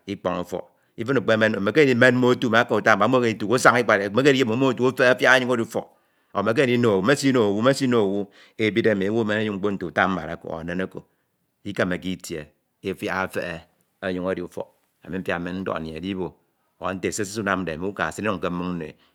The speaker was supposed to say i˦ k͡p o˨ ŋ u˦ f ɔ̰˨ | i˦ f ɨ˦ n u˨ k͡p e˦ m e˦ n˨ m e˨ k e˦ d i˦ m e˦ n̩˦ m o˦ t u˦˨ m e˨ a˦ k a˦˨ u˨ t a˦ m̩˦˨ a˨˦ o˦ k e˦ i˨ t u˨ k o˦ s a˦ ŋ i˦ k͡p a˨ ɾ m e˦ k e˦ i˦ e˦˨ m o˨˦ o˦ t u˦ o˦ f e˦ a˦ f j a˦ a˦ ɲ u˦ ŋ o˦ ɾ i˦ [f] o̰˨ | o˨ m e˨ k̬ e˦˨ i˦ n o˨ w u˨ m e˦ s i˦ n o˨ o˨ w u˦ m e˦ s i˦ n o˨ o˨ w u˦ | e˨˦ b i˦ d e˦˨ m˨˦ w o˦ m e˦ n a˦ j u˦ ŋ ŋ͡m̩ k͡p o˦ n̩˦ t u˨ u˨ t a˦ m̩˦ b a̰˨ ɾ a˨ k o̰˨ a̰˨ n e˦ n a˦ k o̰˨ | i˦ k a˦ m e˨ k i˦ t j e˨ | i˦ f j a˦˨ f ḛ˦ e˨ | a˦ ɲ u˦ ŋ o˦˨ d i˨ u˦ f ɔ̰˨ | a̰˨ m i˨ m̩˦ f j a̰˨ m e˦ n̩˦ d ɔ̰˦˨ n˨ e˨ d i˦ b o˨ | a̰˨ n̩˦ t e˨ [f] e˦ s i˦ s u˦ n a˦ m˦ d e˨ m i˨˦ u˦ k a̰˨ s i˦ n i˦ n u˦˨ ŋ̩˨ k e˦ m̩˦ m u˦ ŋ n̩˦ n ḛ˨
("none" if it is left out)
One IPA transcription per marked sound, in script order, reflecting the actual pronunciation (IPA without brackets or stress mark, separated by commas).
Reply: f, s